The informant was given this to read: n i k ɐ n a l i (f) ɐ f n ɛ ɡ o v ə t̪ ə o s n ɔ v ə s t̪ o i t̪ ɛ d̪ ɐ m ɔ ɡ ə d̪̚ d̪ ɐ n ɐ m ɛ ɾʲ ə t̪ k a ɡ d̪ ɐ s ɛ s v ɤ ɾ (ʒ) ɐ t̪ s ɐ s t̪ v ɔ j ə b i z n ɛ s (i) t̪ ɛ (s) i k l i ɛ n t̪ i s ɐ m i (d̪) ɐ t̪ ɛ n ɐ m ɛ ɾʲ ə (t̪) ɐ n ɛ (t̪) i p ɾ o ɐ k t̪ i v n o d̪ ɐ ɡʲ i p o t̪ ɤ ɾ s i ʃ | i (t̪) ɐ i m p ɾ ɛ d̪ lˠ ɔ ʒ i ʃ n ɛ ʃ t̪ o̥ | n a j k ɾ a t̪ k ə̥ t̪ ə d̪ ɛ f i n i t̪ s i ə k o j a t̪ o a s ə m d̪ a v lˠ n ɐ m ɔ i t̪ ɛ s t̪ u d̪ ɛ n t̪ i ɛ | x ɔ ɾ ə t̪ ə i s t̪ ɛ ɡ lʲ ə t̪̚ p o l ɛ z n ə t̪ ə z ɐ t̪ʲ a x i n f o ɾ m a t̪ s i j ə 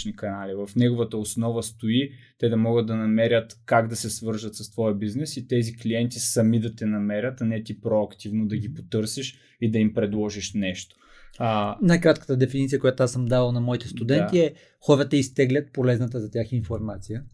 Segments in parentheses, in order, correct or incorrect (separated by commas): incorrect, correct, correct, incorrect, correct, correct, correct, incorrect